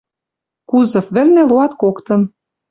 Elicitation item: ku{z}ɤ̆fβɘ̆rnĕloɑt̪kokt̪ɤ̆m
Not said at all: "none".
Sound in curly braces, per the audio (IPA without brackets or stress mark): z